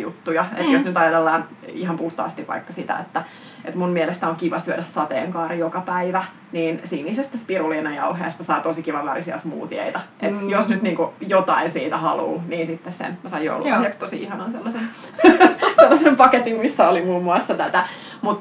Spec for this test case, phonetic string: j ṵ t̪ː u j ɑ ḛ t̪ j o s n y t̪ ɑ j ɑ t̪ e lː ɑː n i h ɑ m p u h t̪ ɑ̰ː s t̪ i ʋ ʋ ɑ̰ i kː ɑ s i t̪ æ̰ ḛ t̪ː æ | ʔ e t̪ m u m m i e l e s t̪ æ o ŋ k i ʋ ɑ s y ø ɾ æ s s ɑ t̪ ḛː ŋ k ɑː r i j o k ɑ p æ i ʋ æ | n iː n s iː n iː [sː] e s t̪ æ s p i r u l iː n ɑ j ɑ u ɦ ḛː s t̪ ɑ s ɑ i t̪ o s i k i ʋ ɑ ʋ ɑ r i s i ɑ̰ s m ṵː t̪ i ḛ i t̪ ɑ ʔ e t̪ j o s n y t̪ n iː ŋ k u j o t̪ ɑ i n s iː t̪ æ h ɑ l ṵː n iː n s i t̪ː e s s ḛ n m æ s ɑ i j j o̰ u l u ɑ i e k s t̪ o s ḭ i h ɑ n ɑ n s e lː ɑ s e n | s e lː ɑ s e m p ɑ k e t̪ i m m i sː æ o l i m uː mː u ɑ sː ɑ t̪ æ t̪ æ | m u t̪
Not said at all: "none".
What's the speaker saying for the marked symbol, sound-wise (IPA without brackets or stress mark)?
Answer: s